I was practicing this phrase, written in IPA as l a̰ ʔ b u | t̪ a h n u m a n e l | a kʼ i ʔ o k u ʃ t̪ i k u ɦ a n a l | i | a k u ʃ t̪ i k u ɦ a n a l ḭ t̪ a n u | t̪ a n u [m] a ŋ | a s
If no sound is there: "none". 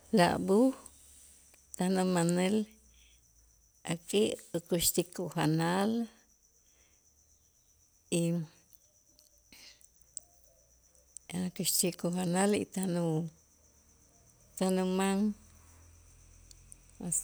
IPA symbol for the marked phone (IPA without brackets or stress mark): m